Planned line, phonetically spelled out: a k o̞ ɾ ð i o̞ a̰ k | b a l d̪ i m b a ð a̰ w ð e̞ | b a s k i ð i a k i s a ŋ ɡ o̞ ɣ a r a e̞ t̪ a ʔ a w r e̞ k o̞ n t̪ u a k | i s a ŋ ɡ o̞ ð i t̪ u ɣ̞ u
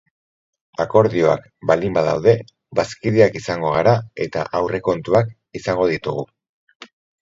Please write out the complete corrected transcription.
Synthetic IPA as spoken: a k o̞ ɾ ð i o̞ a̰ k | b a l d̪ i m b a ð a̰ w ð e̞ | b a s k i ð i a k i s a ŋ ɡ o̞ ɣ a ɾ a e̞ t̪ a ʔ a w r e̞ k o̞ n t̪ u a k | i s a ŋ ɡ o̞ ð i t̪ u ɣ̞ u

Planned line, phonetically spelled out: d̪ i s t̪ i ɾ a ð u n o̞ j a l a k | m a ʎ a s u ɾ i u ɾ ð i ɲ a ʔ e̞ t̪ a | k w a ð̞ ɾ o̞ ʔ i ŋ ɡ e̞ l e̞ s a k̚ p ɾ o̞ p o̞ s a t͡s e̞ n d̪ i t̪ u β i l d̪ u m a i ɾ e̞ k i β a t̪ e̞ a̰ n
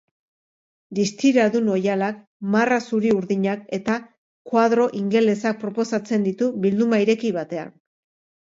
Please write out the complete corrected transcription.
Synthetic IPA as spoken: d̪ i s t̪ i ɾ a ð u n o̞ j a l a k | m a r a s u ɾ i u ɾ ð i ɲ a k e̞ t̪ a | k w a ð̞ ɾ o̞ ʔ i ŋ ɡ e̞ l e̞ s a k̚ p ɾ o̞ p o̞ s a t͡s e̞ n d̪ i t̪ u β i l d̪ u m a i ɾ e̞ k i β a t̪ e̞ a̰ n

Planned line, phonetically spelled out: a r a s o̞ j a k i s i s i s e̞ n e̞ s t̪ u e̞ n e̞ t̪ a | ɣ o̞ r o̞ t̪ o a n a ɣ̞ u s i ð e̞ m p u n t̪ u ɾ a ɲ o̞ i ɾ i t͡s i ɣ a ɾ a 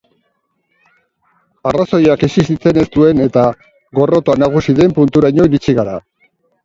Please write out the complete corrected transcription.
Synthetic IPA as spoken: a r a s o̞ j a k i s i s i t͡s e̞ n e̞ s t̪ u e̞ n e̞ t̪ a | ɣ o̞ r o̞ t̪ o a n a ɣ̞ u s i ð e̞ m p u n t̪ u ɾ a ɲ o̞ i ɾ i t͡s i ɣ a ɾ a

